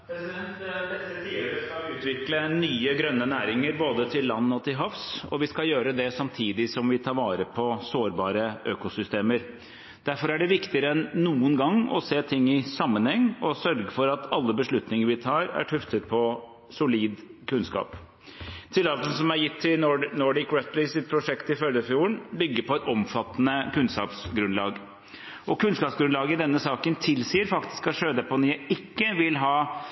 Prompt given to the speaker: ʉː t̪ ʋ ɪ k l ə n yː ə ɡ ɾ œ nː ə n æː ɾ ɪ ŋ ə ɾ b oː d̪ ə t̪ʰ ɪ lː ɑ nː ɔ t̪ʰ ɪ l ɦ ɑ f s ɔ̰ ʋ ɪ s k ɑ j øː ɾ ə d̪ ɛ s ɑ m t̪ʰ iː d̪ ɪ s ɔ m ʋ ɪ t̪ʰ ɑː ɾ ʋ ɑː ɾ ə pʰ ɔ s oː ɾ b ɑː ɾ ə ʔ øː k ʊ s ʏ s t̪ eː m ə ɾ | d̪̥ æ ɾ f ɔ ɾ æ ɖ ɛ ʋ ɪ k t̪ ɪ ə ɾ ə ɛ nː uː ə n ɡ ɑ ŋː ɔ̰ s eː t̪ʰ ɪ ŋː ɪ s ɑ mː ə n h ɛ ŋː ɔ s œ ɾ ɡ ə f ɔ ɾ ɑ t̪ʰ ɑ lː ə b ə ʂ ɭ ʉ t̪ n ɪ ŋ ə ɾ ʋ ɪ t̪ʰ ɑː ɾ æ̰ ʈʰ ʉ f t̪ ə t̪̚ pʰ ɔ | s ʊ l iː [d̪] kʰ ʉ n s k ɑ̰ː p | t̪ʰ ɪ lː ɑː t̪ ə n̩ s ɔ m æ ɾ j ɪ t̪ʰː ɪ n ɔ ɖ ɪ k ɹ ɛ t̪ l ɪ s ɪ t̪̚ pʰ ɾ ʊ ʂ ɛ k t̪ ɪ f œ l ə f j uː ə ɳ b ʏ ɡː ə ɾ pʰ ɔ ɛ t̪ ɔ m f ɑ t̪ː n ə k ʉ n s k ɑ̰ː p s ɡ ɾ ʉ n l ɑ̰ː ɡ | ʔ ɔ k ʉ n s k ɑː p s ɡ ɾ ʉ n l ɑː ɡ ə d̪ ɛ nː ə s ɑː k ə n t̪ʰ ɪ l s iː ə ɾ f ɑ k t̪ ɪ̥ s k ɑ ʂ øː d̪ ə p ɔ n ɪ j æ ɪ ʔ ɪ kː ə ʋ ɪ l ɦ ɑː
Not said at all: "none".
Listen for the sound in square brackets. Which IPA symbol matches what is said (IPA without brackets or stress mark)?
d̪